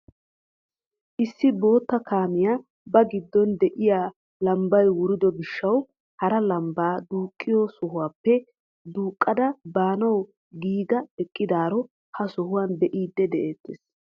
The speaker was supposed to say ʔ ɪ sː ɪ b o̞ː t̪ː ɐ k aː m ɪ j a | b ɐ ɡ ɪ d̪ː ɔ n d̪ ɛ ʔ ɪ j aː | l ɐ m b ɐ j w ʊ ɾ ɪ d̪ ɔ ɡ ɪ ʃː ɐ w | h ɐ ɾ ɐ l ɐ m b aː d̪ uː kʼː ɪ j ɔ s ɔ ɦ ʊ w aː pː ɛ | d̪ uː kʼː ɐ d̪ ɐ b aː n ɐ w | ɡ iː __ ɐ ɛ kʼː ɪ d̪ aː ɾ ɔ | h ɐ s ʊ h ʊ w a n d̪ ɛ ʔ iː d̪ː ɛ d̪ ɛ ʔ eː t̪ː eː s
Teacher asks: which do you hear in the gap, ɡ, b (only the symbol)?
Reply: ɡ